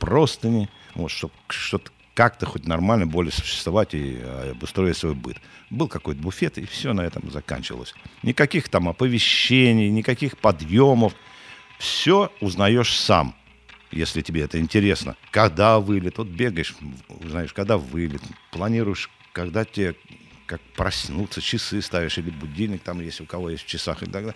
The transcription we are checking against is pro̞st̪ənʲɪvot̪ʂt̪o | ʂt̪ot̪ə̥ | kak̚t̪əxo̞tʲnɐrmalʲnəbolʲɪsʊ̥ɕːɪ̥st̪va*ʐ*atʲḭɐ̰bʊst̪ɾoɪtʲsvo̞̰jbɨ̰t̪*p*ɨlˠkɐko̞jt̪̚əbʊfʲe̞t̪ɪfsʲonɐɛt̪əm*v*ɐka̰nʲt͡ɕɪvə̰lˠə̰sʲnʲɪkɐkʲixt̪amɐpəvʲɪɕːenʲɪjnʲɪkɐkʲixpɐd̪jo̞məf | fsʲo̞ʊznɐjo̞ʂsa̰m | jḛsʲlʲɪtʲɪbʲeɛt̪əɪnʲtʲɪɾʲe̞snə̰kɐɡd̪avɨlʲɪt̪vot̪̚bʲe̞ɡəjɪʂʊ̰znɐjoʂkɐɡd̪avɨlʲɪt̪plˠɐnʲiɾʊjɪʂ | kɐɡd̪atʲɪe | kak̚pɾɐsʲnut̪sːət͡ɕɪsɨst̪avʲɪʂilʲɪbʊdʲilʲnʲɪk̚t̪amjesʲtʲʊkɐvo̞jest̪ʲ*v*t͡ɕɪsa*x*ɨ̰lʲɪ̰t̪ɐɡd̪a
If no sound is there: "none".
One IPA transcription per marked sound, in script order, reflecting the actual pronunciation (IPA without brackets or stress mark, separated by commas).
v, b, z, f, x